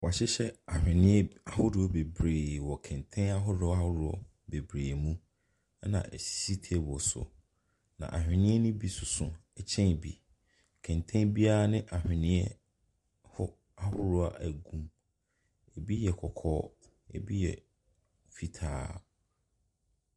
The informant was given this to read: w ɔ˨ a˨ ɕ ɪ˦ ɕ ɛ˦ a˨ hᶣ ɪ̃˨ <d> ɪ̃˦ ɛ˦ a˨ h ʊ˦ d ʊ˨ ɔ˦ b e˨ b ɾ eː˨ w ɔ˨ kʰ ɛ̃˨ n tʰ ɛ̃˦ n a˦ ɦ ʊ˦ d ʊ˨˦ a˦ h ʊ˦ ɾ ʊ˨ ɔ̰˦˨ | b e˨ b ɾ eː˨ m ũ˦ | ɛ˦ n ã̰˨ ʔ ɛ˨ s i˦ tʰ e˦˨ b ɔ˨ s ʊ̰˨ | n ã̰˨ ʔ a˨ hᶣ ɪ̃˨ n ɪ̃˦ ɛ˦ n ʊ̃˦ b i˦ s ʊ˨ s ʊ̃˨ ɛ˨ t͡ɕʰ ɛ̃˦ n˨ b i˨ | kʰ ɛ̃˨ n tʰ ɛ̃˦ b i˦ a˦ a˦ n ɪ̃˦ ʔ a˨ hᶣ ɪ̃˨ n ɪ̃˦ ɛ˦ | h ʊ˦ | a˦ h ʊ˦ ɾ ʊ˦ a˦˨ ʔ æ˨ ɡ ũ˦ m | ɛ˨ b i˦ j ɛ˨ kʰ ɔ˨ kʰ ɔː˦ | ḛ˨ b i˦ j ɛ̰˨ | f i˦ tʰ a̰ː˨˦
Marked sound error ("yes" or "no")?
yes